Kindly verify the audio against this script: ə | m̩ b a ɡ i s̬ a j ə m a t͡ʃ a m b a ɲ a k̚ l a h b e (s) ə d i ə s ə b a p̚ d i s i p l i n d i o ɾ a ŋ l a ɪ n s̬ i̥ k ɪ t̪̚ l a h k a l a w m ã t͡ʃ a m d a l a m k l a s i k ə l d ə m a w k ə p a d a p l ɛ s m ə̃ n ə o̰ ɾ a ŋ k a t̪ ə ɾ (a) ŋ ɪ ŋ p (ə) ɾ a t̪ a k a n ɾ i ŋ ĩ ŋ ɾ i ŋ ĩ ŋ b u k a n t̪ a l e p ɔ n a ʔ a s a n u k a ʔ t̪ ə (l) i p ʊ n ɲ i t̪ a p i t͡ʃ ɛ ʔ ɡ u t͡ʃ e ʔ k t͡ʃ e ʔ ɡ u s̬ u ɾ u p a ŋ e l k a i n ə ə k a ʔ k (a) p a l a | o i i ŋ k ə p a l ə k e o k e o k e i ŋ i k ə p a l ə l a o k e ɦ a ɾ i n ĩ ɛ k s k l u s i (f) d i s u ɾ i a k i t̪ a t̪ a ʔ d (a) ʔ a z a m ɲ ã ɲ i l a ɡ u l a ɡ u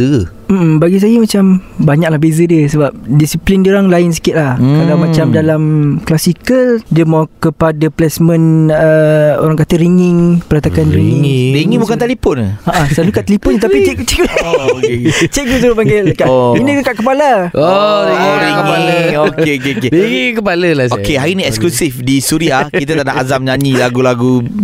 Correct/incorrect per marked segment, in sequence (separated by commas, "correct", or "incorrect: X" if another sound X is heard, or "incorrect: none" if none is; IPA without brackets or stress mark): incorrect: z, incorrect: i, correct, correct, incorrect: ə, correct, correct